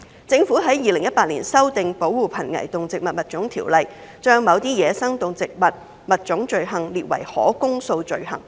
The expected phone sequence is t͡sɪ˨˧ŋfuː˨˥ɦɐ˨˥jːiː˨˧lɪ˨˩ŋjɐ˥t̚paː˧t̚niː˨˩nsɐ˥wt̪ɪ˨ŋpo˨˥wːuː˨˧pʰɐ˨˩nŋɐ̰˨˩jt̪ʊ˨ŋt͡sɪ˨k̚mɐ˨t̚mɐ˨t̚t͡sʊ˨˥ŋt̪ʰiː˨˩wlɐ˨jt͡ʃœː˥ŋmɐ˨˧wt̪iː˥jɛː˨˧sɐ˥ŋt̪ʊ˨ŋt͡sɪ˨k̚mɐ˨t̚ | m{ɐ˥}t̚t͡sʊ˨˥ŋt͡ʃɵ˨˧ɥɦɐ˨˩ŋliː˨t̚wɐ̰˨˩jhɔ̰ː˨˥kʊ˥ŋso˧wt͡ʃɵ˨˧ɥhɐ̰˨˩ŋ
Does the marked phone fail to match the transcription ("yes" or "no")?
yes